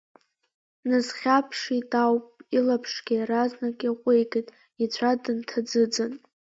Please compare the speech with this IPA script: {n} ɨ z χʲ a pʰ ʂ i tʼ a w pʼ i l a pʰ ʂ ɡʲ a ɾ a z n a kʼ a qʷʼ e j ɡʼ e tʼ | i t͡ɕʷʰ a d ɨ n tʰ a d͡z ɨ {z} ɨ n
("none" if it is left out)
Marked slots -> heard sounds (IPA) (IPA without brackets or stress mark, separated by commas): n, d͡z